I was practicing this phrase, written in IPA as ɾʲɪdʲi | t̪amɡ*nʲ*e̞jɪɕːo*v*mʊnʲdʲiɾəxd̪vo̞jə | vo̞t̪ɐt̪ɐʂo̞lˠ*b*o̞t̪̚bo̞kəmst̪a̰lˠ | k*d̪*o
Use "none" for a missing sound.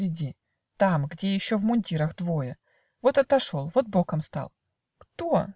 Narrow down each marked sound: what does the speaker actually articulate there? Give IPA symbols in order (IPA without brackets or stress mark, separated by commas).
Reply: dʲ, v, v, t̪